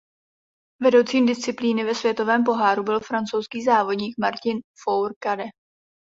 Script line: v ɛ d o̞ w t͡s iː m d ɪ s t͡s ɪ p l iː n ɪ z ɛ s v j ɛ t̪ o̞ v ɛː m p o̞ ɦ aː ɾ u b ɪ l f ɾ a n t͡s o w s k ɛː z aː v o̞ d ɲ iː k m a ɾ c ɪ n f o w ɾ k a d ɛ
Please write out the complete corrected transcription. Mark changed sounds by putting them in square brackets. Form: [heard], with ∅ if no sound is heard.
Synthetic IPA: v ɛ d o̞ w t͡s iː m d ɪ s t͡s ɪ p l iː n ɪ [v] ɛ s v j ɛ t̪ o̞ v ɛː m p o̞ ɦ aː ɾ u b ɪ l f ɾ a n t͡s o w s k [iː] z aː v o̞ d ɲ iː k m a ɾ c ɪ n f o w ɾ k a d ɛ

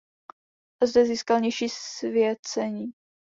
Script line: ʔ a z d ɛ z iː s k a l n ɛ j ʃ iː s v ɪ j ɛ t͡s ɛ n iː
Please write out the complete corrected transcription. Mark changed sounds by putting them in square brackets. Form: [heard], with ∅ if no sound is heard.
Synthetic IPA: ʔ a z d ɛ z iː s k a l [ɲ] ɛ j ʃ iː s v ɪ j ɛ t͡s ɛ [ɲ] iː

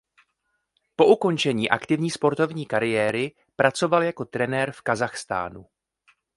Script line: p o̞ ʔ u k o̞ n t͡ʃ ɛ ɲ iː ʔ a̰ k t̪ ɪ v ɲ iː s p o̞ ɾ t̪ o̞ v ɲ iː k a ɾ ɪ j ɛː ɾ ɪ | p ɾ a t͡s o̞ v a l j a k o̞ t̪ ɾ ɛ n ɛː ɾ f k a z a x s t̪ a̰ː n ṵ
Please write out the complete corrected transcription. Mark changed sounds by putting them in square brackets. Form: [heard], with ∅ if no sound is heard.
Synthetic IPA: p o̞ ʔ u k o̞ n t͡ʃ ɛ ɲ iː ʔ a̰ k t̪ ɪ v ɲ iː s p o̞ ɾ t̪ o̞ v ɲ iː k a ɾ ɪ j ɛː ɾ ɪ | p ɾ a t͡s o̞ v a l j a k o̞ t̪ ɾ ɛ n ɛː ɾ f k a z a x s t̪ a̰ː n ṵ

